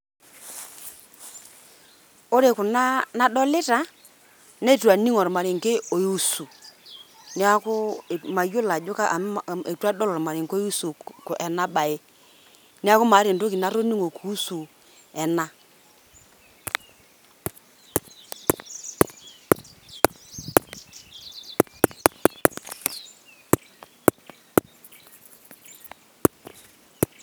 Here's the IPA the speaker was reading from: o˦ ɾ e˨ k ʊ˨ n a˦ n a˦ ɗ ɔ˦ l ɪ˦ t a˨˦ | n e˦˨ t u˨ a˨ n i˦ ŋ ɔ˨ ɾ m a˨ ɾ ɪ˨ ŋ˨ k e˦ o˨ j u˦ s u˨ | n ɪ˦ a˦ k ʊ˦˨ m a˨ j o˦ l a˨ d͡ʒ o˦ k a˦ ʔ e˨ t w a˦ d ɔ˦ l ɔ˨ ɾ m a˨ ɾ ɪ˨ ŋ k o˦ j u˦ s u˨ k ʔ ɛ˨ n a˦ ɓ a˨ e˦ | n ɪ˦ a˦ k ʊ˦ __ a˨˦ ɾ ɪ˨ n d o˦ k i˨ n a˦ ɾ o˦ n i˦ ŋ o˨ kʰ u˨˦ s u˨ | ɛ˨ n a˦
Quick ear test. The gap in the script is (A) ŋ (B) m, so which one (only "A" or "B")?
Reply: B